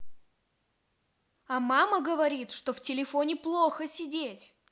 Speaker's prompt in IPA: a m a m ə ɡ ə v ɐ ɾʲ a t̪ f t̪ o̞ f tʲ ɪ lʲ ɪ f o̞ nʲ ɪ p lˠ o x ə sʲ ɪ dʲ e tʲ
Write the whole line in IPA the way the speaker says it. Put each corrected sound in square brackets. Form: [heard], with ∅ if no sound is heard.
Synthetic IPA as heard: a m a m ə ɡ ə v ɐ ɾʲ [i] t̪ [ʂ] t̪ o̞ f tʲ ɪ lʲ ɪ f o̞ nʲ ɪ p lˠ o x ə sʲ ɪ dʲ e tʲ